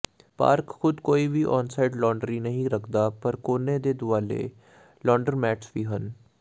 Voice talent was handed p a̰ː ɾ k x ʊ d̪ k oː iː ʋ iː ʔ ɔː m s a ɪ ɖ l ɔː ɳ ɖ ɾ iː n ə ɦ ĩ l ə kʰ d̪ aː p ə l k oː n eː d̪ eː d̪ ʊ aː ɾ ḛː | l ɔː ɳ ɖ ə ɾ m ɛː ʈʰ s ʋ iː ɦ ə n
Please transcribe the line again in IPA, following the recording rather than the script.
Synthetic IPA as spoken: p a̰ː ɾ k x ʊ d̪ k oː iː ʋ iː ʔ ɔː n s a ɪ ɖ l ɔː ɳ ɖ ɾ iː n ə ɦ ĩ ɾ ə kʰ d̪ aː p ə ɾ k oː n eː d̪ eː d̪ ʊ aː l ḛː | l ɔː ɳ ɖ ə ɾ m ɛː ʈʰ s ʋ iː ɦ ə n